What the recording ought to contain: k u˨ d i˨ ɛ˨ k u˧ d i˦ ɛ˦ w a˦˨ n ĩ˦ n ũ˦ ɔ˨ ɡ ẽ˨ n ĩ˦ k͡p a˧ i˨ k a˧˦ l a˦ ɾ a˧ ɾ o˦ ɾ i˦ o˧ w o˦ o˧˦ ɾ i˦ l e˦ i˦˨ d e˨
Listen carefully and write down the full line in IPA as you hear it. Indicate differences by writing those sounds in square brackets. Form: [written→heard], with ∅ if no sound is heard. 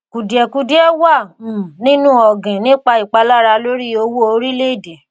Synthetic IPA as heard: k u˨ d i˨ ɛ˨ k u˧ d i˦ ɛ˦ w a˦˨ n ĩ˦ n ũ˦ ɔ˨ ɡ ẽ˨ n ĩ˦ k͡p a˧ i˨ [k→k͡p] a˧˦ l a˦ ɾ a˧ [ɾ→l] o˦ ɾ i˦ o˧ w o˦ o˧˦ ɾ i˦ l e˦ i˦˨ d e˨